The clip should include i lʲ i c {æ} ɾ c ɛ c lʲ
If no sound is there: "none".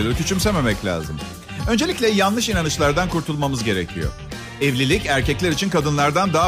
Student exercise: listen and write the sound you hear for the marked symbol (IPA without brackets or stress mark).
æ